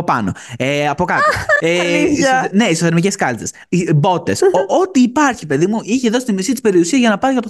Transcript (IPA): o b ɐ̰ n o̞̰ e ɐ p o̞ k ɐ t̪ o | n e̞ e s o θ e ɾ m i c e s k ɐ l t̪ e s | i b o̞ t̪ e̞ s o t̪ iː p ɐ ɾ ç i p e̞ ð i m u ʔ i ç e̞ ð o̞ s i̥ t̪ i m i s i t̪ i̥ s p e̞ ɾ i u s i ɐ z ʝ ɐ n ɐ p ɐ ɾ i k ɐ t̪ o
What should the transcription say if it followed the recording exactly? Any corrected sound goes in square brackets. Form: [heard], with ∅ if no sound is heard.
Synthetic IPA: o [p] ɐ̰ n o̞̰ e ɐ p o̞ k ɐ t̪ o | n e̞ [i] s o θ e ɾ m i c e s k ɐ l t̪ e s | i b o̞ t̪ e̞ s o t̪ iː p ɐ ɾ ç i p e̞ ð i m u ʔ i ç e̞ ð o̞ s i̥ t̪ i m i s i t̪ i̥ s p e̞ ɾ i u s i ɐ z ʝ ɐ n ɐ p ɐ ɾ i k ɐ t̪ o